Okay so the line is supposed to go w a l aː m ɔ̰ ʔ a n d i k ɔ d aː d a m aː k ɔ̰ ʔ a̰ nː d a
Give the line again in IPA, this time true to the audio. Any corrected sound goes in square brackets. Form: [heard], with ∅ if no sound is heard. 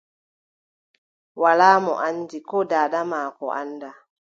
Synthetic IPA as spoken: w a l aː m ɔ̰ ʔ a n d i k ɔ d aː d a m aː k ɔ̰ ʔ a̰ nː d a